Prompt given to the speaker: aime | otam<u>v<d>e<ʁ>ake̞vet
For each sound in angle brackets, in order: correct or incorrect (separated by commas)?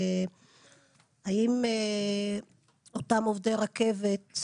incorrect, correct, correct